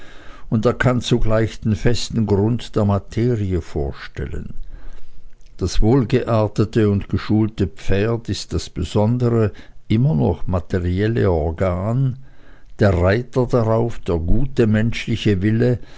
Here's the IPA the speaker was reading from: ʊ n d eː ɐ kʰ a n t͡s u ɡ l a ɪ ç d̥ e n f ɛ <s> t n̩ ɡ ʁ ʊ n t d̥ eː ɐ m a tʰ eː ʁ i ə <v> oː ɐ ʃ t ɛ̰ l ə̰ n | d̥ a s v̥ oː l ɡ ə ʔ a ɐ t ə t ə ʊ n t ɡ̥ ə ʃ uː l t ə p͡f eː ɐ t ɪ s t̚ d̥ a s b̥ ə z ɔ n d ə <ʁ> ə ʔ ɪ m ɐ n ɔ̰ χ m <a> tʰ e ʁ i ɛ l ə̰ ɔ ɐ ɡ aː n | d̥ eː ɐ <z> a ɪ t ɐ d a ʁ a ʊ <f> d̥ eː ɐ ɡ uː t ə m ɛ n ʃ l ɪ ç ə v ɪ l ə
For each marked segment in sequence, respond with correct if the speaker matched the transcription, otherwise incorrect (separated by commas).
correct, incorrect, correct, correct, incorrect, correct